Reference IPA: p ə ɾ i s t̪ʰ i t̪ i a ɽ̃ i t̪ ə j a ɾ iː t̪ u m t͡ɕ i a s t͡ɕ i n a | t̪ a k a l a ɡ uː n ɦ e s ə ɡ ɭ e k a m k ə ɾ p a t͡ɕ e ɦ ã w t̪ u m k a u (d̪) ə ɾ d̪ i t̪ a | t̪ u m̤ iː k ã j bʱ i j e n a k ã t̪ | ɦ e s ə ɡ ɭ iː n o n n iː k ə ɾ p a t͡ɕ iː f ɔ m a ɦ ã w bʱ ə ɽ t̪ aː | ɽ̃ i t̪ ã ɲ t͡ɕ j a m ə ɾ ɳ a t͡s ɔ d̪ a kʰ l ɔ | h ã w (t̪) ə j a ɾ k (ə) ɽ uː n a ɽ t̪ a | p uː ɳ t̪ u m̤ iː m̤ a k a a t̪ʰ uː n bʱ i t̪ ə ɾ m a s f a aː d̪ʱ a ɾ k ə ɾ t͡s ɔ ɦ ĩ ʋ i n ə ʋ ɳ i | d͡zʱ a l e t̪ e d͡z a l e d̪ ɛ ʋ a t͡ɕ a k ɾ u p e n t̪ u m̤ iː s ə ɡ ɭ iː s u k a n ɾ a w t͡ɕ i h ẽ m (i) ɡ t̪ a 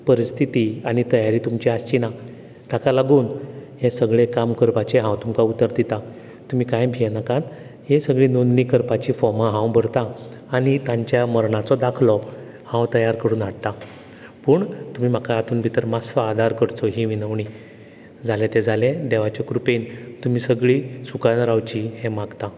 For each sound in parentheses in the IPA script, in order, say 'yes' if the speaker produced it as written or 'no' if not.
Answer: no, yes, yes, no

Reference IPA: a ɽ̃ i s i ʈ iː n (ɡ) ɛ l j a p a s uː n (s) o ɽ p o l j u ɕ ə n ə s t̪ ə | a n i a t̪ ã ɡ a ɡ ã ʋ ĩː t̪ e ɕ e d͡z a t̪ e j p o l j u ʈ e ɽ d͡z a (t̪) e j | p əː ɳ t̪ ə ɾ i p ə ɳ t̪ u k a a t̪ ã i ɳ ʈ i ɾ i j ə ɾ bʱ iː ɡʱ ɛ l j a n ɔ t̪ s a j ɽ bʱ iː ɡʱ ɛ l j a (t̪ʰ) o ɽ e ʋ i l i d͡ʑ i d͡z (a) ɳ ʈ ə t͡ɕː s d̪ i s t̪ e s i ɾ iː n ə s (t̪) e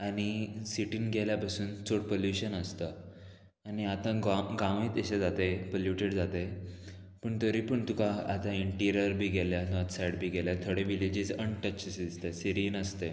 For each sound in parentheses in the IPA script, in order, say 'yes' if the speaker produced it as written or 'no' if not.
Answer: yes, no, yes, yes, no, yes

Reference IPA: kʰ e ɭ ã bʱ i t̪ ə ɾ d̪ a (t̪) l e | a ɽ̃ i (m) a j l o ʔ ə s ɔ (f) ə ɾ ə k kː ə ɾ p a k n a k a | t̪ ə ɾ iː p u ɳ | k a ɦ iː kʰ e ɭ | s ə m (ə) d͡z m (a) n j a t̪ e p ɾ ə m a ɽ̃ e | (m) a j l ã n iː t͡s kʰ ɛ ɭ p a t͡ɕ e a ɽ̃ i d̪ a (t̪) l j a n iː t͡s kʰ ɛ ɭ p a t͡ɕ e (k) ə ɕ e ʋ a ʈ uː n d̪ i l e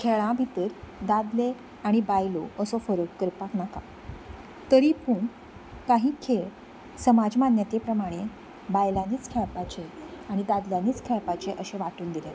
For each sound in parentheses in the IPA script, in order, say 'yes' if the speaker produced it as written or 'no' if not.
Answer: no, no, yes, no, yes, no, no, no

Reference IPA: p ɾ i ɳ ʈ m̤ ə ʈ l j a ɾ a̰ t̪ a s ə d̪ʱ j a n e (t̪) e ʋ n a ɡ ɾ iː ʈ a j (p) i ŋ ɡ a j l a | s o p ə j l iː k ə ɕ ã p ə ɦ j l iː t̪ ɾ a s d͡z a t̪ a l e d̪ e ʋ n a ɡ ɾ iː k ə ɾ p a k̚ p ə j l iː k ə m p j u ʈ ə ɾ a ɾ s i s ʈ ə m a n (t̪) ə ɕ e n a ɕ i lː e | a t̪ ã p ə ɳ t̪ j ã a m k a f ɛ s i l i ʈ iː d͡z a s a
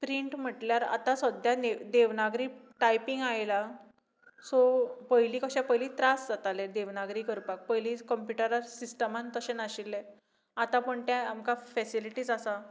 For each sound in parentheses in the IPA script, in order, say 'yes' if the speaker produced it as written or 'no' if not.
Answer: no, yes, yes

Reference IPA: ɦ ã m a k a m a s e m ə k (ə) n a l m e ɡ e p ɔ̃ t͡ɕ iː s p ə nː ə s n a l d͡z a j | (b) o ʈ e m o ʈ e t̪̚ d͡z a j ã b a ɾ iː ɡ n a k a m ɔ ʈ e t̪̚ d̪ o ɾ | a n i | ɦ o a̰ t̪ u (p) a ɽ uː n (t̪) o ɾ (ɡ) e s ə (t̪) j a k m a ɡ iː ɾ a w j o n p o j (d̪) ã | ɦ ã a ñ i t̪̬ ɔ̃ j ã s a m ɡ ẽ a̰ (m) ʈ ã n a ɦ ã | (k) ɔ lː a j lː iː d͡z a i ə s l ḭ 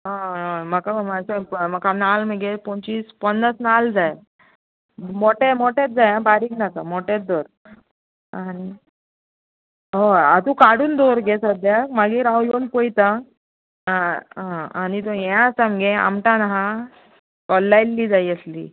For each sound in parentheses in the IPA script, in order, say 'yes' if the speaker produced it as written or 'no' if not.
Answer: no, no, no, no, yes, no, no, yes, yes

